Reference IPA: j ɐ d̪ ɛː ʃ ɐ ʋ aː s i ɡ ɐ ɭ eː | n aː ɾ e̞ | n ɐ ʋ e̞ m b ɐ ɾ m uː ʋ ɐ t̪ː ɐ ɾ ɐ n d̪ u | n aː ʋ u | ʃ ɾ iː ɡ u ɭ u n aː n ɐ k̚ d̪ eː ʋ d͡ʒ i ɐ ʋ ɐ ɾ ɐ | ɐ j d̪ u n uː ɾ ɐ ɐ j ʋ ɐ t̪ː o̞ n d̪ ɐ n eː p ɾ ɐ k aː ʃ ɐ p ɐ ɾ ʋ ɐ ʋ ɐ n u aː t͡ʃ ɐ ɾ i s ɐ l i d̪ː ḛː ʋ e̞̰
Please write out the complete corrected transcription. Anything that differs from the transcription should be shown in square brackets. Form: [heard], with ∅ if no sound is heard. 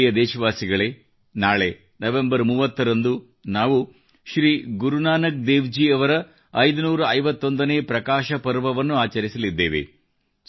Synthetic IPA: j ɐ d̪ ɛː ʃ ɐ ʋ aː s i ɡ ɐ ɭ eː | n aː [ɭ] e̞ | n ɐ ʋ e̞ m b ɐ ɾ m uː ʋ ɐ t̪ː ɐ ɾ ɐ n d̪ u | n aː ʋ u | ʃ ɾ iː ɡ u [ɾ] u n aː n ɐ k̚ d̪ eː ʋ d͡ʒ i ɐ ʋ ɐ ɾ ɐ | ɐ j d̪ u n uː ɾ ɐ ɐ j ʋ ɐ t̪ː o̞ n d̪ ɐ n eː p ɾ ɐ k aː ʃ ɐ p ɐ ɾ ʋ ɐ ʋ ɐ [nː] u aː t͡ʃ ɐ ɾ i s ɐ l i d̪ː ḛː ʋ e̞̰

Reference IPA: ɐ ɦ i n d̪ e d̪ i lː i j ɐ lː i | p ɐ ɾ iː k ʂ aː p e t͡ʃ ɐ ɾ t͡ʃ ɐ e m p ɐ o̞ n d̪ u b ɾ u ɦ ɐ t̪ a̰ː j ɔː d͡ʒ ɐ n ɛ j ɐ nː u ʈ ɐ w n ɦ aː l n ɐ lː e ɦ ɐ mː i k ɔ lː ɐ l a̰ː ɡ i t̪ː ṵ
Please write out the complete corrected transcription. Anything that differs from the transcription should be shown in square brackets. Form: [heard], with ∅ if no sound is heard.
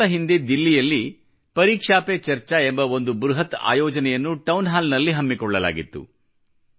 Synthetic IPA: ɐ ɦ i n d̪ e d̪ i lː i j ɐ lː i | p ɐ ɾ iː k ʂ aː p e t͡ʃ ɐ ɾ t͡ʃ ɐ e m [b] ɐ o̞ n d̪ u b ɾ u ɦ ɐ t̪ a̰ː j ɔː d͡ʒ ɐ n ɛ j ɐ nː u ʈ ɐ w n ɦ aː l n ɐ lː [i] ɦ ɐ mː i k ɔ [ɭː] ɐ l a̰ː ɡ i t̪ː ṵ

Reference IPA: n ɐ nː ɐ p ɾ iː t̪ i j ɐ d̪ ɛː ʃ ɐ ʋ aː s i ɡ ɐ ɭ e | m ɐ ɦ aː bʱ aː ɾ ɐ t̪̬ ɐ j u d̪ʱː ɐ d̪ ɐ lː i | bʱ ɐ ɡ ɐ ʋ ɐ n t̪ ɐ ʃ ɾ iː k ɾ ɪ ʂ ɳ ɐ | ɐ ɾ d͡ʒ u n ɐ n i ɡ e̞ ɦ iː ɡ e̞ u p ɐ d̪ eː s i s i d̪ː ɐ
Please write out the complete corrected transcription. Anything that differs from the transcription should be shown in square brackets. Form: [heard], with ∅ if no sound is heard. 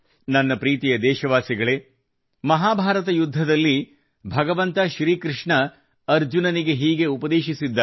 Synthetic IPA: n ɐ nː ɐ p ɾ iː t̪ i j ɐ d̪ ɛː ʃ ɐ ʋ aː s i ɡ ɐ ɭ e | m ɐ ɦ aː bʱ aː ɾ ɐ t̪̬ ɐ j u d̪ʱː ɐ d̪ ɐ lː i | bʱ ɐ ɡ ɐ ʋ ɐ n t̪ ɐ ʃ ɾ iː k ɾ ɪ ʂ ɳ ɐ | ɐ ɾ d͡ʒ u n ɐ n i ɡ e̞ ɦ iː ɡ e̞ u p ɐ d̪ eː [ʃ] i s i d̪ː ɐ

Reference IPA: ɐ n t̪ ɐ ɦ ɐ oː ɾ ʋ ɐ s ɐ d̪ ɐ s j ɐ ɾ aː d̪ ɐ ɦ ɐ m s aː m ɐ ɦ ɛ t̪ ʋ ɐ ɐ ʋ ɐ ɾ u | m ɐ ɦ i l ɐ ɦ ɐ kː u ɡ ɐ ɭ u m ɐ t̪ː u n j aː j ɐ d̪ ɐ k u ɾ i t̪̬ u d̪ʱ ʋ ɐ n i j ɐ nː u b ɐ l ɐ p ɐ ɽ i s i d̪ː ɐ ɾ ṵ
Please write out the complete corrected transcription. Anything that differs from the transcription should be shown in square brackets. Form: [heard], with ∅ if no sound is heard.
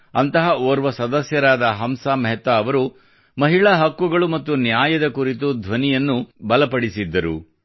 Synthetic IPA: ɐ n t̪ ɐ ɦ ɐ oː ɾ ʋ ɐ s ɐ d̪ ɐ s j ɐ ɾ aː d̪ ɐ ɦ ɐ m s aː m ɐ ɦ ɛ t̪ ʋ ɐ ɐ ʋ ɐ ɾ u | m ɐ ɦ i [ɭ] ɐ ɦ ɐ kː u ɡ ɐ ɭ u m ɐ t̪ː u n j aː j ɐ d̪ ɐ k u ɾ i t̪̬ u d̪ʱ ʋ ɐ n i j ɐ nː u b ɐ l ɐ p ɐ ɽ i s i d̪ː ɐ ɾ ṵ

